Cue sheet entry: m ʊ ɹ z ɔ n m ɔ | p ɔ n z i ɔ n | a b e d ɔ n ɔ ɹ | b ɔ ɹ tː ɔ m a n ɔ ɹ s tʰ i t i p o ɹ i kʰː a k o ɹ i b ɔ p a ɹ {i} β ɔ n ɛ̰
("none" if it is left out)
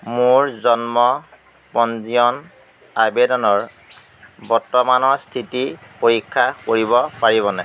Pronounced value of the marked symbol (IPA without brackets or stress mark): i